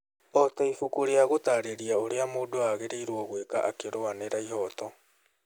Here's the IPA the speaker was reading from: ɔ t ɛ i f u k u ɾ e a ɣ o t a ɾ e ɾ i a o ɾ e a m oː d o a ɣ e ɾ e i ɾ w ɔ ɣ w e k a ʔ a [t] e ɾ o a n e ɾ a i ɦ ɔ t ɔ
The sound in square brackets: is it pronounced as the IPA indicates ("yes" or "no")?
no